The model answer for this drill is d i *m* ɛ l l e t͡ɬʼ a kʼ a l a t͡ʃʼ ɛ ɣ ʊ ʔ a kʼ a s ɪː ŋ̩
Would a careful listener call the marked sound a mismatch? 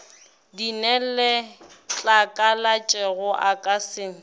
yes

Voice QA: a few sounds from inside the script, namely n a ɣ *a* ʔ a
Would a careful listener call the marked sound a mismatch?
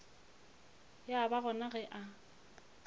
yes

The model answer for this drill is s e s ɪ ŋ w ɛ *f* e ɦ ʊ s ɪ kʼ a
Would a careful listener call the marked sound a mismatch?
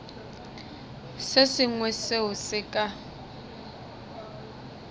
yes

